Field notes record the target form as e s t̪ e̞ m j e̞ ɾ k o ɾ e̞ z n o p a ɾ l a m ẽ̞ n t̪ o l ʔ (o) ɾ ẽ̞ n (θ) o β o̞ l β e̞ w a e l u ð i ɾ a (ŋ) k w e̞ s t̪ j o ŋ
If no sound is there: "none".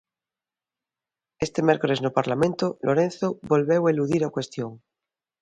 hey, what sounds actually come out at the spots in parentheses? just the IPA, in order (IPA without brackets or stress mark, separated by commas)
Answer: o, θ, none